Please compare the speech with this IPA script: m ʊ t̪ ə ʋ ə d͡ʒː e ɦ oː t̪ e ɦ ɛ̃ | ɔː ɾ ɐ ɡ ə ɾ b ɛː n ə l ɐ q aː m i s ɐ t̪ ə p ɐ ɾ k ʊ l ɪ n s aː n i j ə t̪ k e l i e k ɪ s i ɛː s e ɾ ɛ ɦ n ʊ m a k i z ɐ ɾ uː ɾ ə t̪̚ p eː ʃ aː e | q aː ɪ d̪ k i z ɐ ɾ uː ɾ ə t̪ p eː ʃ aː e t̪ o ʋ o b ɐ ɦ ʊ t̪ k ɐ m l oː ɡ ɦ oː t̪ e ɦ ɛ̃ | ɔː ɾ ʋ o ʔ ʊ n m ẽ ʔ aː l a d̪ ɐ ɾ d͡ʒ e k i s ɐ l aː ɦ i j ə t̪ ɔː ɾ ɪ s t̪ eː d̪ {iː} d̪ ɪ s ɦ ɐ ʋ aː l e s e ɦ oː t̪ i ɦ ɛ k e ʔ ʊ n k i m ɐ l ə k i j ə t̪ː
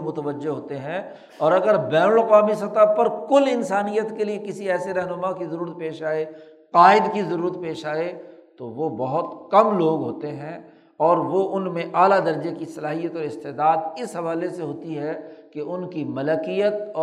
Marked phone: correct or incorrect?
incorrect